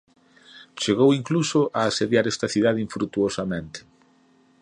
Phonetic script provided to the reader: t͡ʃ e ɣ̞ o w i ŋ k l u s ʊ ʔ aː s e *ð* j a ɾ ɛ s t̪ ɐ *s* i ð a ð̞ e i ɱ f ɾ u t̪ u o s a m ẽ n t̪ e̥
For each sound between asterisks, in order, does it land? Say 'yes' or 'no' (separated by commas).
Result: yes, no